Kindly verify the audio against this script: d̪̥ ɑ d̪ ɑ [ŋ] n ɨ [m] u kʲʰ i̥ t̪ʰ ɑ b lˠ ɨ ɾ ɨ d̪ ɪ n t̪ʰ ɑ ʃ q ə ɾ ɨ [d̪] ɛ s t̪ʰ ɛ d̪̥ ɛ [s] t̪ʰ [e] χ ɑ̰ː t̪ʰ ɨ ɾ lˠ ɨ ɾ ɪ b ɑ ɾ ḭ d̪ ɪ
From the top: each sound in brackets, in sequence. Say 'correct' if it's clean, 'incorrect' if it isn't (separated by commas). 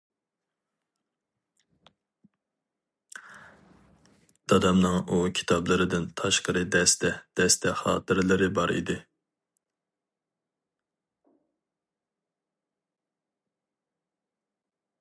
incorrect, incorrect, correct, correct, incorrect